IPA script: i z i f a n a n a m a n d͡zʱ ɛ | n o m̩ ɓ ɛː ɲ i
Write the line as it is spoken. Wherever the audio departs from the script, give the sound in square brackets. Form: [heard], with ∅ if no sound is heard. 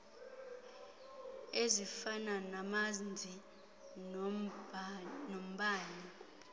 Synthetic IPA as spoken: [e] z i f a n a n a m a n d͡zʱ [i] | n o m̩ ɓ [aː] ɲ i